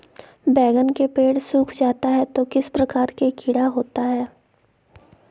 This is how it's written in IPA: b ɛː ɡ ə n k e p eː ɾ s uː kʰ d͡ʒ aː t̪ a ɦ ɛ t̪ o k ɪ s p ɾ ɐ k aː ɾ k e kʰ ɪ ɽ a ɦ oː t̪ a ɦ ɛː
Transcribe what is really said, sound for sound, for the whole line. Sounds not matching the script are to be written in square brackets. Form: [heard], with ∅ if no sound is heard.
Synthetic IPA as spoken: b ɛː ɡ ə n k e p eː [ɽ] s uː kʰ d͡ʒ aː t̪ a ɦ ɛ t̪ o k ɪ s p ɾ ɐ k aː ɾ k e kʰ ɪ ɽ a ɦ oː t̪ a ɦ ɛː